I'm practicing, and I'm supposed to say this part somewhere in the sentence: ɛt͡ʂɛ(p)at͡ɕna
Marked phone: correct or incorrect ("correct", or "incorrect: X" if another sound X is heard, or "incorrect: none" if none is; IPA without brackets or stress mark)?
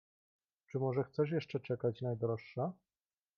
incorrect: k